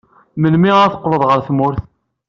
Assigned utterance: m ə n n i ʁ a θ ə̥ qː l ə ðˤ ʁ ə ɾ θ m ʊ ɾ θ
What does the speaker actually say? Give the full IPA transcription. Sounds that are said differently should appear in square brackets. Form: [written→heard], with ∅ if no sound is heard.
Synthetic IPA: m ə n [n→m] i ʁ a θ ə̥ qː l ə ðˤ ʁ ə ɾ θ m ʊ ɾ θ

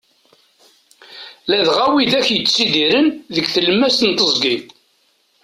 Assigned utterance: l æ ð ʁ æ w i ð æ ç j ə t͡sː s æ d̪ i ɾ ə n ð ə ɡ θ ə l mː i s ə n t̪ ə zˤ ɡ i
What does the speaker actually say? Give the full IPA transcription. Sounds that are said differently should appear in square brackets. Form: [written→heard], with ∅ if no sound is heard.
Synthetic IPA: l æ ð ʁ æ w i ð æ ç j ə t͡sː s [æ→i] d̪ i ɾ ə n ð ə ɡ θ ə l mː [i→æ] s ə n t̪ ə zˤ ɡ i

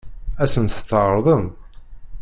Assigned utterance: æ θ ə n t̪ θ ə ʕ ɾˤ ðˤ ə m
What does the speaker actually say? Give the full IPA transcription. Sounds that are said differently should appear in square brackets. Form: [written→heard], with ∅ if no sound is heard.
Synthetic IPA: æ [θ→s] ə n t̪ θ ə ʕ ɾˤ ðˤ ə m

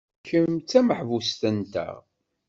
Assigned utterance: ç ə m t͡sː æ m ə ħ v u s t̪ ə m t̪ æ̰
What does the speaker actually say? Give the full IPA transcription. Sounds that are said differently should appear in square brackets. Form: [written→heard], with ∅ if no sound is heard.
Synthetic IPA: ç ə m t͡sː æ m ə ħ v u s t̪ ə [m→n] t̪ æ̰

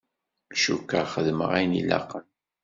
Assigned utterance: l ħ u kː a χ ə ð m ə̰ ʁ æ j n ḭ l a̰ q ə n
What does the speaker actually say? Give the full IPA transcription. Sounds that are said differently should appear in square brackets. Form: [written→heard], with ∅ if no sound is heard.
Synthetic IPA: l [ħ→ʃ] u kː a χ ə ð m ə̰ ʁ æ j n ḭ l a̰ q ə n

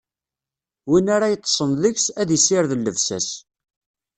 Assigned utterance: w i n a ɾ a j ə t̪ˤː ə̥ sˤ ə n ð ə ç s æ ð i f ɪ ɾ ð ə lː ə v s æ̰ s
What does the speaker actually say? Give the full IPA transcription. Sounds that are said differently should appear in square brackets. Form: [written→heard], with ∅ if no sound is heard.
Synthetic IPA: w i n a ɾ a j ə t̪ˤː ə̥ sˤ ə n ð ə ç s æ ð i [f→s] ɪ ɾ ð ə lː ə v s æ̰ s

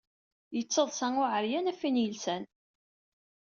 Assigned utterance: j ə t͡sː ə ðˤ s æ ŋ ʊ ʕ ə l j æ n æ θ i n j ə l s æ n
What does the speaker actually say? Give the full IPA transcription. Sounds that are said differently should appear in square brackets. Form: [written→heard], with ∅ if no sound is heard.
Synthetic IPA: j ə t͡sː ə ðˤ s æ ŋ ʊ ʕ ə [l→ɾ] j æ n æ [θ→f] i n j ə l s æ n

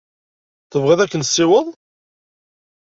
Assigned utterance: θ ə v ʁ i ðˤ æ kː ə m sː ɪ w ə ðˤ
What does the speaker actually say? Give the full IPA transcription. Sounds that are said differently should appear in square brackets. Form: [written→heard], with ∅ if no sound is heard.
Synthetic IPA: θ ə v ʁ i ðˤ æ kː ə [m→n] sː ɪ w ə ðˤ

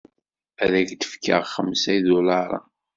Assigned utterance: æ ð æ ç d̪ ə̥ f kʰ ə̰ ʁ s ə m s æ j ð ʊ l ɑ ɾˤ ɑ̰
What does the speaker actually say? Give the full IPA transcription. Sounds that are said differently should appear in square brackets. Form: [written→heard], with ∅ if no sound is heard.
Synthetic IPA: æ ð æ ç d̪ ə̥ f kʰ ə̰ ʁ [s→χ] ə m s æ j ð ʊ l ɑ ɾˤ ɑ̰

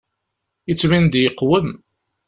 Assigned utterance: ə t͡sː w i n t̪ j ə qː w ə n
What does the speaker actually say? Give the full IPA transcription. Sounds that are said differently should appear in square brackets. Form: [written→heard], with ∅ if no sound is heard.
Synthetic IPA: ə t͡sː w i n [t̪→d̪] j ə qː w ə [n→m]

